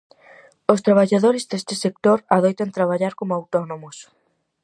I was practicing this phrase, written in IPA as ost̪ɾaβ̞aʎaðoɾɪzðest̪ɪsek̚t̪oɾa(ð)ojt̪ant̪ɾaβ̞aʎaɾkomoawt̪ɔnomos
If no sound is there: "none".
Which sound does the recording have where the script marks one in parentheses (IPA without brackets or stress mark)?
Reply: ð